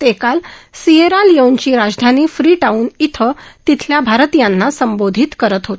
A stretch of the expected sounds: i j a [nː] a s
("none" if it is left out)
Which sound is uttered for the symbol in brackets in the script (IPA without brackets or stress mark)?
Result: nː